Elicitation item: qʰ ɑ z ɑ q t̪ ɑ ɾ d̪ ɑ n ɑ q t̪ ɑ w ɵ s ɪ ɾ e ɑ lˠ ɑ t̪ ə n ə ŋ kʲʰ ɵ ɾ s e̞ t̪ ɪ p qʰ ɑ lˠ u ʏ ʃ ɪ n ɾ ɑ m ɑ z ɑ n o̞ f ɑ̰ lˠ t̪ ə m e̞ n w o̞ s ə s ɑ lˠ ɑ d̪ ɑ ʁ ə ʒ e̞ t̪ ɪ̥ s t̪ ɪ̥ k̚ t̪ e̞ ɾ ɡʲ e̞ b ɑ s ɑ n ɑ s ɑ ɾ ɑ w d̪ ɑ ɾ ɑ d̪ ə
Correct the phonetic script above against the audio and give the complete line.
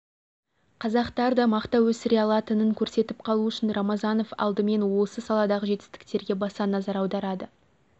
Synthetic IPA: qʰ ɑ z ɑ q t̪ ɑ ɾ d̪ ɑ m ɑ q t̪ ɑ w ɵ s ɪ ɾ e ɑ lˠ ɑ t̪ ə n ə ŋ kʲʰ ɵ ɾ s e̞ t̪ ɪ p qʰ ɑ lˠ u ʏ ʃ ɪ n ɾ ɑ m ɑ z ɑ n o̞ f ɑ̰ lˠ d̪ ə m e̞ n w o̞ s ə s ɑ lˠ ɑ d̪ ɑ ʁ ə ʒ e̞ t̪ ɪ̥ s t̪ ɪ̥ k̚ t̪ e̞ ɾ ɡʲ e̞ b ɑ s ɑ n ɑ z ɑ ɾ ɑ w d̪ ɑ ɾ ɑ d̪ ə